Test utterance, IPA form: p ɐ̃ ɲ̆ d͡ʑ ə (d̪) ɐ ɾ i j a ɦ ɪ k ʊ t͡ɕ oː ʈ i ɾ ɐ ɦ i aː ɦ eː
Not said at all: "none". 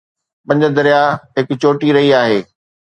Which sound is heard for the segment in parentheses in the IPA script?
d̪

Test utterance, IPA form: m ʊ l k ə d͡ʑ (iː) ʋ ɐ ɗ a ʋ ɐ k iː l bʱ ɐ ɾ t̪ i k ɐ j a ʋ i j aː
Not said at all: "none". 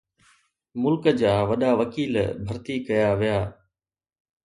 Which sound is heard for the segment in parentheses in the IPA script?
aː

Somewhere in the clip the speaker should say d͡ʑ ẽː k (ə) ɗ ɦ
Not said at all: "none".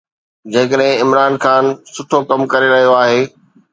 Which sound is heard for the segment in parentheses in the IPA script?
ə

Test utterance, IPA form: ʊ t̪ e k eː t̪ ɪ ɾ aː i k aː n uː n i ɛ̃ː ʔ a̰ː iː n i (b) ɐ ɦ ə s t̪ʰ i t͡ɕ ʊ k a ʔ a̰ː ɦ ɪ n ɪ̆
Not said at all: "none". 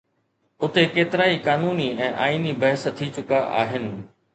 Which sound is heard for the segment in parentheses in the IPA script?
b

